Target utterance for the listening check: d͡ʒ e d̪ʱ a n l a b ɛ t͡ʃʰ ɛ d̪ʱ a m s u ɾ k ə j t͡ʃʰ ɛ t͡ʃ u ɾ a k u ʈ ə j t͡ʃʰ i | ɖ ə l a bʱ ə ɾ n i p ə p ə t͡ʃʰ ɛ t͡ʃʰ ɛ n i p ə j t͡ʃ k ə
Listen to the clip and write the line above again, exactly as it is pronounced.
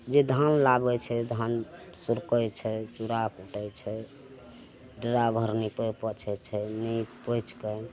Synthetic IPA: d͡ʒ e d̪ʱ a n l a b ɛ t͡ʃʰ ɛ d̪ʱ a n s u ɾ k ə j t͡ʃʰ ɛ t͡ʃ u ɾ a k u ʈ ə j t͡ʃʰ ɛ | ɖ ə ɾ a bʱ ə ɾ n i p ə p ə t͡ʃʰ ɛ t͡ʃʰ ɛ n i p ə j t͡ʃ k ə

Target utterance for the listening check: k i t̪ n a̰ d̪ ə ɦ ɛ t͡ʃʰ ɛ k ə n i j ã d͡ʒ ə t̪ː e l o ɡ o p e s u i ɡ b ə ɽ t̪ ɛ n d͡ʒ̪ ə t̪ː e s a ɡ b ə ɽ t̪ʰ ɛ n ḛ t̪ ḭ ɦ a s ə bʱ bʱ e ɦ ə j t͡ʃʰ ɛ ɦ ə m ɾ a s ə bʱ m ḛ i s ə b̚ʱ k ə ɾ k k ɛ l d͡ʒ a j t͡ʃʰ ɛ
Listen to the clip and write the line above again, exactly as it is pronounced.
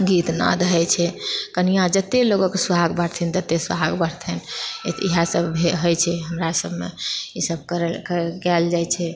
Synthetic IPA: ɡ i t̪ n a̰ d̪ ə ɦ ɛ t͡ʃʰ ɛ k ə n i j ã d͡ʒ ə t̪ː e l o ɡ o k e s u a ɡ b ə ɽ t̪ʰ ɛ n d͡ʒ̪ ə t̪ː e s a ɡ b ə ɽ t̪ʰ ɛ n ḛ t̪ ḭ ɦ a s ə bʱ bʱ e ɦ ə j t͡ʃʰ ɛ ɦ ə m ɾ a s ə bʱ m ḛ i s ə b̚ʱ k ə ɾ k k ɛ l d͡ʒ a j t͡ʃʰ ɛ

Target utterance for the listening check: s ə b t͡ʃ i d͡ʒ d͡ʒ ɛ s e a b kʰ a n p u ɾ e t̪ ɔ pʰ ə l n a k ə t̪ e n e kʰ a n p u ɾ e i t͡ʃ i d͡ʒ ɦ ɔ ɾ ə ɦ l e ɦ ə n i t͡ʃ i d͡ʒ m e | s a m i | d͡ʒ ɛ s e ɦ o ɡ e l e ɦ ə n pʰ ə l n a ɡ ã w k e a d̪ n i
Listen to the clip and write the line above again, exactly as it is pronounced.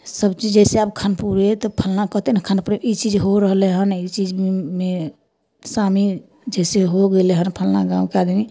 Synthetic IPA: s ə b t͡ʃ i d͡ʒ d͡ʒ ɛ s e a b kʰ a n p u ɾ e t̪ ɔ pʰ ə l n a k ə t̪ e n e kʰ a n p u ɾ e i t͡ʃ i d͡ʒ ɦ o ɾ ə ɦ l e ɦ ə n i t͡ʃ i d͡ʒ m e | s a m i | d͡ʒ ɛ s e ɦ o ɡ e l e ɦ ə n pʰ ə l n a ɡ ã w k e a d̪ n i

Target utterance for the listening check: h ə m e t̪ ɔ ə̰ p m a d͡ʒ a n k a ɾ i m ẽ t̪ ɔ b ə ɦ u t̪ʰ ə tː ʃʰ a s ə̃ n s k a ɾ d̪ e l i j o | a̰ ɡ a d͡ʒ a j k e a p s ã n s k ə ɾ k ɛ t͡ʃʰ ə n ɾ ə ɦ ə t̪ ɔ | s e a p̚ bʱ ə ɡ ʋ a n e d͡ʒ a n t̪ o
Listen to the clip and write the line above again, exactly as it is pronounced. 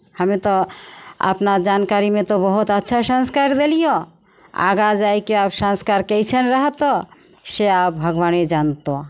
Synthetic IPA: h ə m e t̪ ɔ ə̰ p n a d͡ʒ a n k a ɾ i m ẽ t̪ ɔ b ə ɦ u t̪ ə tː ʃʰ a s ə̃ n s k a ɾ d̪ e l i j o | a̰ ɡ a d͡ʒ a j k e a p s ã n s k a ɾ k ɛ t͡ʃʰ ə n ɾ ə ɦ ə t̪ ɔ | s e a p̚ bʱ ə ɡ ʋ a n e d͡ʒ a n t̪ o

